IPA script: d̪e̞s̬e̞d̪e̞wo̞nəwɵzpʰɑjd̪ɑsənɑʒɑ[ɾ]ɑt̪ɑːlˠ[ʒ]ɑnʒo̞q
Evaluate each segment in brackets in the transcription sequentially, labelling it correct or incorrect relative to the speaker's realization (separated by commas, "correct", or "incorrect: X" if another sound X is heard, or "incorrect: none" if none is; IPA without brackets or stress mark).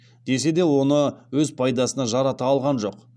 correct, incorrect: ʁ